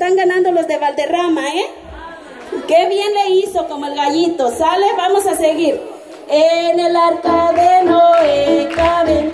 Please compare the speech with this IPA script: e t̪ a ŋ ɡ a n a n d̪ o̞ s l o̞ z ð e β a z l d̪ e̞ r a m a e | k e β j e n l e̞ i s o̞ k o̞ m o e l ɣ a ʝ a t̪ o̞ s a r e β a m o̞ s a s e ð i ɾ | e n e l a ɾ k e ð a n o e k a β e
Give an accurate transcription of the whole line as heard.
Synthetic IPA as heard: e t̪ a ŋ ɡ a n a n d̪ o̞ l o̞ z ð e β a l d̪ e̞ r a m a e | k e β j e n l e̞ i s o̞ k o̞ m o e l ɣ a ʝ i t̪ o̞ s a l e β a m o̞ s a s e ɣ i ɾ | e n e l a ɾ k a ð e n o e k a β e